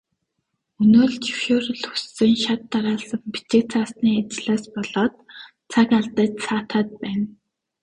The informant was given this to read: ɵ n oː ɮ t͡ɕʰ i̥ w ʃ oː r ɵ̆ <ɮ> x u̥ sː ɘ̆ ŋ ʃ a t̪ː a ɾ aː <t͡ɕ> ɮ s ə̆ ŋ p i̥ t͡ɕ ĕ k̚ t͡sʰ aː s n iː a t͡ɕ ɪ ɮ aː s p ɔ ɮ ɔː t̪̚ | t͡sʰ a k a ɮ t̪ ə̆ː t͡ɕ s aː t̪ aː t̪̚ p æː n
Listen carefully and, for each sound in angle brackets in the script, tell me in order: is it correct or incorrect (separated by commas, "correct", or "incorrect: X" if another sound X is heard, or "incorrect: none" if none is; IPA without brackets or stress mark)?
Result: correct, incorrect: none